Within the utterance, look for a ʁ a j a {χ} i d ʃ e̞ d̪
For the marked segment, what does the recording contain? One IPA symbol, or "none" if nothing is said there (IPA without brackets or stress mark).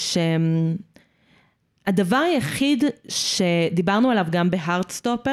χ